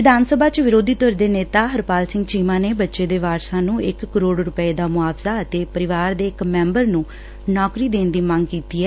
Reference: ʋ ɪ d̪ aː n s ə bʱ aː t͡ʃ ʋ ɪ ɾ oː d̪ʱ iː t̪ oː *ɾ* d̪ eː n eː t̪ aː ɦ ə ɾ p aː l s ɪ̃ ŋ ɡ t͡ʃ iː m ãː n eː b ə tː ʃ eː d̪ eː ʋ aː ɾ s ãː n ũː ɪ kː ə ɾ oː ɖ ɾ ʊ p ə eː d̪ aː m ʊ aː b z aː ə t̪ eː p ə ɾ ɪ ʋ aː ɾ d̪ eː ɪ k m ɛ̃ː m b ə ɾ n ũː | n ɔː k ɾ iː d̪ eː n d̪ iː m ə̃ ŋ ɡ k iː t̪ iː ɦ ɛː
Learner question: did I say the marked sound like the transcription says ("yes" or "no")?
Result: yes